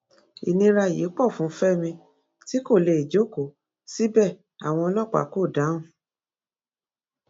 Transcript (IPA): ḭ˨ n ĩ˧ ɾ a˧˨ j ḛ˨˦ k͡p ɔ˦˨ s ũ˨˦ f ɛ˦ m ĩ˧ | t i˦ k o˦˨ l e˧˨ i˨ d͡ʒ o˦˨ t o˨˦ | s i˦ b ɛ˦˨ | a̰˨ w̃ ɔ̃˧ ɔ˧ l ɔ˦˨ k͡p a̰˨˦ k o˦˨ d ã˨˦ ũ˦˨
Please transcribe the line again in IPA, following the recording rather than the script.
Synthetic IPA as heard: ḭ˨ n ĩ˧ ɾ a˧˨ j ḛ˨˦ k͡p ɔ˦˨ f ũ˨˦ f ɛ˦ m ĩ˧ | t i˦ k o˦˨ l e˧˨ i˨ d͡ʒ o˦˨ k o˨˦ | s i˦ b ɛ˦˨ | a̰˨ w̃ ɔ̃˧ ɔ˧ l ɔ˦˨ k͡p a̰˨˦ k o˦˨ d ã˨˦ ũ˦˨